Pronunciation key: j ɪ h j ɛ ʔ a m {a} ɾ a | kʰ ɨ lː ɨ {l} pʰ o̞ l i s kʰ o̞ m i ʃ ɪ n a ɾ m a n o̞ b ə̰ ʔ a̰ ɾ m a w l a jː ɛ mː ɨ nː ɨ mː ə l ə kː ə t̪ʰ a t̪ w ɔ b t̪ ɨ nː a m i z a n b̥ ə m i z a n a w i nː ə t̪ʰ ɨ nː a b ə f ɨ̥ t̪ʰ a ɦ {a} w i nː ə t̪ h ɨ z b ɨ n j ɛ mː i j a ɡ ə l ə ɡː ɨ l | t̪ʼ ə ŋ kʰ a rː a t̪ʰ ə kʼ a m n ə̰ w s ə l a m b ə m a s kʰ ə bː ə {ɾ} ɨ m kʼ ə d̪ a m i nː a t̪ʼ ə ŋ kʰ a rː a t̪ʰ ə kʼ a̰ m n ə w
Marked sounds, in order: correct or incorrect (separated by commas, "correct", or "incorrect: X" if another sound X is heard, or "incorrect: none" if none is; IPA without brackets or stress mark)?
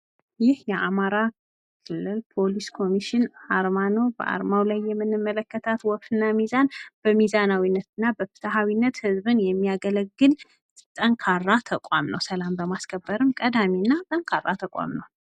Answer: correct, correct, correct, correct